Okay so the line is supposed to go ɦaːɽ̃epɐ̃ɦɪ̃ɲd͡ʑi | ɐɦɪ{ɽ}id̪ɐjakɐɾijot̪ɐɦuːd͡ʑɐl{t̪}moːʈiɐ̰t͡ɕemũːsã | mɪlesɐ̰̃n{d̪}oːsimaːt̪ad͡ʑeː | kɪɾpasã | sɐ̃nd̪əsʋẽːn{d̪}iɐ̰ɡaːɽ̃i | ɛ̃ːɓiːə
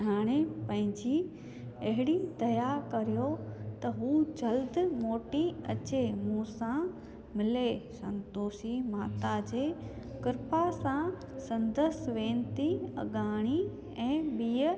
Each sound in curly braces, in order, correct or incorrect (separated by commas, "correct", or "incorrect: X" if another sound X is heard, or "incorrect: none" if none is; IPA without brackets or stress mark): correct, incorrect: d̪, incorrect: t̪, incorrect: t̪